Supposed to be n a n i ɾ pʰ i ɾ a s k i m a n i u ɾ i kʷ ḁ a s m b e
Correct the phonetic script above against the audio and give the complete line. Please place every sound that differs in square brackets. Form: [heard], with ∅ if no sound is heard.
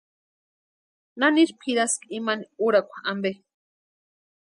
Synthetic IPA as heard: n a n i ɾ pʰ i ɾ a s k i m a n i u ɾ [a] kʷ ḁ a [∅] m b e